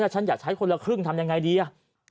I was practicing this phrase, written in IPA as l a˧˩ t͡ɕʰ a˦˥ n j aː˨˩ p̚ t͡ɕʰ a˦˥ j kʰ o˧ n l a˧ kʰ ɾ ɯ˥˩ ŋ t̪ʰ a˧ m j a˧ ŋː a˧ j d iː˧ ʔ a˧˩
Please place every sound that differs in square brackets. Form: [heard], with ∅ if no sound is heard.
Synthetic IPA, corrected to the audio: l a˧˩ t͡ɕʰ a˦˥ n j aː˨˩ [k̚] t͡ɕʰ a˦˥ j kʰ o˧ n l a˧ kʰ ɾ ɯ˥˩ ŋ t̪ʰ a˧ m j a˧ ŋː a˧ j d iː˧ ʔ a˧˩